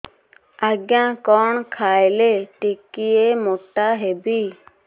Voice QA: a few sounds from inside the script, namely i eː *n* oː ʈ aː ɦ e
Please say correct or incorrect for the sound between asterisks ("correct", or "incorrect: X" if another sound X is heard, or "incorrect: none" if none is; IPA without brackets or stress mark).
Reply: incorrect: m